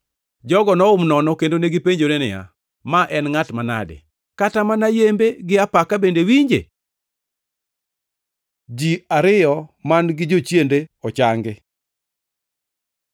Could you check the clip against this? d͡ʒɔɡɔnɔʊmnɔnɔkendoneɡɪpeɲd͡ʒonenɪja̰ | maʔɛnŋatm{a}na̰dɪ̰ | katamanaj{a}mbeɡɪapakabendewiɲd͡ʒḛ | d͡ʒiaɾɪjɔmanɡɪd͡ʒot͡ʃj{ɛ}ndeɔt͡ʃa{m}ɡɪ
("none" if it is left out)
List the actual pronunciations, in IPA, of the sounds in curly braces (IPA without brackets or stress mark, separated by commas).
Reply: a, e, e, ŋ